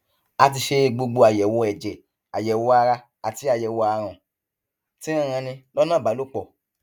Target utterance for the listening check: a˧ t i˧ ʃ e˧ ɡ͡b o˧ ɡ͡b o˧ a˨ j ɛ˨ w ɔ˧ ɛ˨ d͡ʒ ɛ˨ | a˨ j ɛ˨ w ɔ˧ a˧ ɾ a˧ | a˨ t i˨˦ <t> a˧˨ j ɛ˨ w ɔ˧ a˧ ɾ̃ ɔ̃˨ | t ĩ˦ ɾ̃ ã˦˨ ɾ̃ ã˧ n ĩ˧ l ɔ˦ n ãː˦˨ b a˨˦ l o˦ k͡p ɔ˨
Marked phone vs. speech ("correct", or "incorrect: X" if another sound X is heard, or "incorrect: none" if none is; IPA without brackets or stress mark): incorrect: none